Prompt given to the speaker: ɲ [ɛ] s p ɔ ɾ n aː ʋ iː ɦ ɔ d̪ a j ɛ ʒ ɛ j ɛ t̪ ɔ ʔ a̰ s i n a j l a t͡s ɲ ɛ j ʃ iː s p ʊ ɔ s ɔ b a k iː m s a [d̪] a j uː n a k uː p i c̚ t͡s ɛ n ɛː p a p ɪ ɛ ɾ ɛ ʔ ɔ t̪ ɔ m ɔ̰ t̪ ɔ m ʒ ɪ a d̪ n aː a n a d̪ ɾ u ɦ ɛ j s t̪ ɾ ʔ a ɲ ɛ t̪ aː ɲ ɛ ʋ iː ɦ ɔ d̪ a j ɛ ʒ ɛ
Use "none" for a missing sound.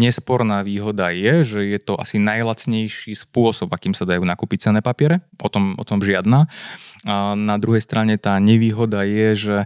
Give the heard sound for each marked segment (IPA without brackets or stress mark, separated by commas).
ɛ, d̪